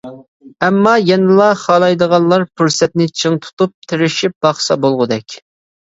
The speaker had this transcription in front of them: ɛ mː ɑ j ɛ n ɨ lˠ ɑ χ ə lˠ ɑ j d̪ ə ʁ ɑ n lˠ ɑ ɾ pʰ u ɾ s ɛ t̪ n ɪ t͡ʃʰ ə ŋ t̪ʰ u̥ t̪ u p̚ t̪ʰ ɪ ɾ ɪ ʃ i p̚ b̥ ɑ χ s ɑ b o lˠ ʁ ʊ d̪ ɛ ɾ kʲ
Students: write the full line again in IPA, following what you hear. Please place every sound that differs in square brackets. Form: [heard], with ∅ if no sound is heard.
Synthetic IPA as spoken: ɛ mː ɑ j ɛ n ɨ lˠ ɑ χ [ɑ] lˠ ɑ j d̪ ə ʁ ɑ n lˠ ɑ ɾ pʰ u ɾ s ɛ t̪ n ɪ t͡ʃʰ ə ŋ t̪ʰ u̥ t̪ u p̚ t̪ʰ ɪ ɾ ɪ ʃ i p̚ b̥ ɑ χ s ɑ b o lˠ ʁ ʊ d̪ ɛ [∅] kʲ